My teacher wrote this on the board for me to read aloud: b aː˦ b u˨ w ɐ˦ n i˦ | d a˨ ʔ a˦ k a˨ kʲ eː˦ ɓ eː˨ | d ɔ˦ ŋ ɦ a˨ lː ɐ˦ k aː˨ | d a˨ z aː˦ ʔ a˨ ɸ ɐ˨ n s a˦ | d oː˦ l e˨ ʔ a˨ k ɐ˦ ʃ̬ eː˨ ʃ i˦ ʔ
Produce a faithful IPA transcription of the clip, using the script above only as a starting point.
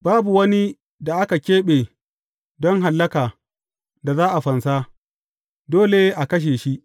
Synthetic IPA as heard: b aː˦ b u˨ w ɐ˦ n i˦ | d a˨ ʔ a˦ k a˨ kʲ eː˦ ɓ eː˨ | d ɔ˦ ŋ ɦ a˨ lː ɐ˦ k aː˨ | d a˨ z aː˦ ʔ a˨ ɸ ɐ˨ n s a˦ | d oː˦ l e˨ ʔ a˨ k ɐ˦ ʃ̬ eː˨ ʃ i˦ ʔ